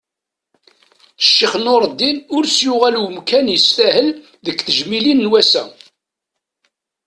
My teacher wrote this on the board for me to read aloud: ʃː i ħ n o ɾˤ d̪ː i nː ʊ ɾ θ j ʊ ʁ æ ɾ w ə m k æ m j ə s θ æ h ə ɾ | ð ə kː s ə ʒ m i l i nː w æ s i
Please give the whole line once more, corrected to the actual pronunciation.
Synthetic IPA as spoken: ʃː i χ n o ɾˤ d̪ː i n ʊ ɾ s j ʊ ʁ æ l w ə m k æ n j ə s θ æ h ə l | ð ə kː θ ə ʒ m i l i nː w æ s æ